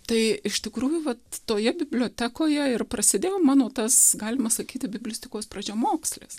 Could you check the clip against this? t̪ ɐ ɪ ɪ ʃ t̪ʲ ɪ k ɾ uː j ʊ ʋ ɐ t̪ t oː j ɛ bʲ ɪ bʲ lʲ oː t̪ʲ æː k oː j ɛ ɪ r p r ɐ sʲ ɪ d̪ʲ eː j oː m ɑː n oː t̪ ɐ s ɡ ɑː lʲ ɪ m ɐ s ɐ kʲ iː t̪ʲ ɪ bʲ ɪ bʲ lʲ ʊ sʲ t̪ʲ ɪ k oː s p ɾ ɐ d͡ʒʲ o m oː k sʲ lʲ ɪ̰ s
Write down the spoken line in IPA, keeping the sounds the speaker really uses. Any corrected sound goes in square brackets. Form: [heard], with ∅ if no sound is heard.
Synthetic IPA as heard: t̪ ɐ ɪ ɪ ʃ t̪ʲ ɪ k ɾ uː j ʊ ʋ ɐ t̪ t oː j ɛ bʲ ɪ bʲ lʲ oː t̪ʲ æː k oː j ɛ ɪ r p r ɐ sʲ ɪ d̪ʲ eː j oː m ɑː n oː t̪ ɐ s ɡ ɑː lʲ ɪ m ɐ s ɐ kʲ iː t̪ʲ ɪ bʲ ɪ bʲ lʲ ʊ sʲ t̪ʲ ɪ k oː s p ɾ ɐ d͡ʒʲ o m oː k sʲ lʲ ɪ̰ s

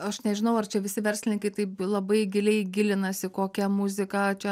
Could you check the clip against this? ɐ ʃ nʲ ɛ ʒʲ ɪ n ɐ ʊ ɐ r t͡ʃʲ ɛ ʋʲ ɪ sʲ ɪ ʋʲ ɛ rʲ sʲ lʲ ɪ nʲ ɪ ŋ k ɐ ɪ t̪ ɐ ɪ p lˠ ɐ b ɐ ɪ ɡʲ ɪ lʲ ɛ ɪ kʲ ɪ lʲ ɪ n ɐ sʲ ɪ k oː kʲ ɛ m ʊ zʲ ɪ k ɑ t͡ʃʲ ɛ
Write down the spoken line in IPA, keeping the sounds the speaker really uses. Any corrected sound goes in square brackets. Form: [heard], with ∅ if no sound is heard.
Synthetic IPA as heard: ɐ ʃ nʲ ɛ ʒʲ ɪ n ɐ ʊ ɐ r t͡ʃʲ ɛ ʋʲ ɪ sʲ ɪ ʋʲ ɛ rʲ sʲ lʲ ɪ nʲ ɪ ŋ k ɐ ɪ t̪ ɐ ɪ p lˠ ɐ b ɐ ɪ ɡʲ ɪ lʲ ɛ ɪ [ɡʲ] ɪ lʲ ɪ n ɐ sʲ ɪ k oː kʲ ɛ m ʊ zʲ ɪ k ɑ t͡ʃʲ ɛ

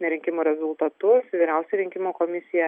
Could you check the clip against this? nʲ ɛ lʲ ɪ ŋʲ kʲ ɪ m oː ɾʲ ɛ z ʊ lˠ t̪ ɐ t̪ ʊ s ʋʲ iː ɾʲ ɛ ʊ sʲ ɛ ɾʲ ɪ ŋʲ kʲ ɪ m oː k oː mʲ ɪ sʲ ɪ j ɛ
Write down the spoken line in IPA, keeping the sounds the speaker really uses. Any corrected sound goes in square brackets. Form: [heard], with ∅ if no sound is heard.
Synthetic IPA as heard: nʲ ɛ [ɾʲ] ɪ ŋʲ kʲ ɪ m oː ɾʲ ɛ z ʊ lˠ t̪ ɐ t̪ ʊ s ʋʲ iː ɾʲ ɛ ʊ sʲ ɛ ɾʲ ɪ ŋʲ kʲ ɪ m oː k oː mʲ ɪ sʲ ɪ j ɛ

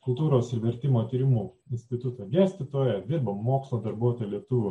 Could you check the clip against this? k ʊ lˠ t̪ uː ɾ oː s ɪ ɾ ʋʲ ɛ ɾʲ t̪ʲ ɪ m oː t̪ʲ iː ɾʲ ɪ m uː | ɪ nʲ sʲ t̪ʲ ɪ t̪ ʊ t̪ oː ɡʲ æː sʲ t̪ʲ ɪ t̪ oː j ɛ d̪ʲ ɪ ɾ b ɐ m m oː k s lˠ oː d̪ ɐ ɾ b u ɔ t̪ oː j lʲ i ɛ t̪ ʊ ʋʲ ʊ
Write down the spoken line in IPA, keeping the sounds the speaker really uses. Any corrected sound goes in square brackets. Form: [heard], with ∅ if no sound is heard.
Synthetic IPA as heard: k ʊ lˠ t̪ uː ɾ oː s ɪ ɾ ʋʲ ɛ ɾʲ t̪ʲ ɪ m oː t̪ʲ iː ɾʲ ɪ m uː | ɪ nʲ sʲ t̪ʲ ɪ t̪ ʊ t̪ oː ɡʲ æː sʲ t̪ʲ ɪ t̪ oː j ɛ d̪ʲ ɪ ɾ b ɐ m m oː k s lˠ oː d̪ ɐ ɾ b u ɔ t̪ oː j lʲ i ɛ t̪ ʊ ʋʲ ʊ

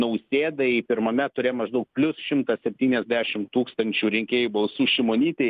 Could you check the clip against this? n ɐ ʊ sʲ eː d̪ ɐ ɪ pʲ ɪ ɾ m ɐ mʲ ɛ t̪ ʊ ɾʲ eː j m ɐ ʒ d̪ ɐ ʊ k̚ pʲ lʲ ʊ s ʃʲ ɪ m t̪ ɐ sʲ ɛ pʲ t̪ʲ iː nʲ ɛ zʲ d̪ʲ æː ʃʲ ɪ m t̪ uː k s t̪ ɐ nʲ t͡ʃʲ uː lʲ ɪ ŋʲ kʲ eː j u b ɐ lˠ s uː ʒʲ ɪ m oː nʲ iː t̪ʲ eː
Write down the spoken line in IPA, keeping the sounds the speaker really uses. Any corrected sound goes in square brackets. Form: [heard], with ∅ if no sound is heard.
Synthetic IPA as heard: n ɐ ʊ sʲ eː d̪ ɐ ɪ pʲ ɪ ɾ m ɐ mʲ ɛ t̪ ʊ ɾʲ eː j m ɐ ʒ d̪ ɐ ʊ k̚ pʲ lʲ ʊ s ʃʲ ɪ m t̪ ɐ sʲ ɛ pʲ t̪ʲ iː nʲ ɛ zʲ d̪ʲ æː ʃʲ ɪ m t̪ uː k s t̪ ɐ nʲ t͡ʃʲ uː [ɾʲ] ɪ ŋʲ kʲ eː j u b ɐ lˠ s uː [ʃʲ] ɪ m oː nʲ iː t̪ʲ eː

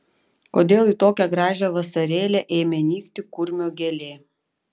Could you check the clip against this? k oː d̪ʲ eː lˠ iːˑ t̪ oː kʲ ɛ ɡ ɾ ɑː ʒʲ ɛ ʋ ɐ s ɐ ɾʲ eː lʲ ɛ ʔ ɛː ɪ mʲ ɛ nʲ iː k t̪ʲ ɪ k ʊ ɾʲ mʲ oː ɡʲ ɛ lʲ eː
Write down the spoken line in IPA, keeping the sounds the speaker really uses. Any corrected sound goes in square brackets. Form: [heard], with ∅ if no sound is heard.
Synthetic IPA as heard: k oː d̪ʲ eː lˠ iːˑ t̪ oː kʲ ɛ ɡ ɾ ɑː ʒʲ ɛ ʋ ɐ s ɐ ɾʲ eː lʲ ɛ ʔ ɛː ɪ mʲ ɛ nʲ iː k t̪ʲ ɪ k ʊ ɾʲ mʲ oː ɡʲ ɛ lʲ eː

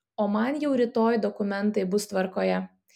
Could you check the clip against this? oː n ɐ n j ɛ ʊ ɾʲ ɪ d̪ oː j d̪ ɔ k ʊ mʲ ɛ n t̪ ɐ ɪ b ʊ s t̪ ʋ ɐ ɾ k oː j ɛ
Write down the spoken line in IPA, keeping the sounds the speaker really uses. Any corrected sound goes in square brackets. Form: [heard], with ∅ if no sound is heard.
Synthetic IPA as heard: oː [m] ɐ n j ɛ ʊ ɾʲ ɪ [t̪] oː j d̪ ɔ k ʊ mʲ ɛ n t̪ ɐ ɪ b ʊ s t̪ ʋ ɐ ɾ k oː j ɛ

